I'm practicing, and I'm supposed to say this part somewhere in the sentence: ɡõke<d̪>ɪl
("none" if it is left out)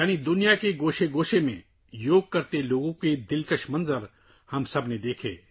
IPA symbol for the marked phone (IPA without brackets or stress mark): d̪